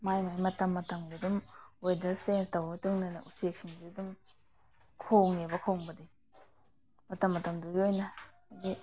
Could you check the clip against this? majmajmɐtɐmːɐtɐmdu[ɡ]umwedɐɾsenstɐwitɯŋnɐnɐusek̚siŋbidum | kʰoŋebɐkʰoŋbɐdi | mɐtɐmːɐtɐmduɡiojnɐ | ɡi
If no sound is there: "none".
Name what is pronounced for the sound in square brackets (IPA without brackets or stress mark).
d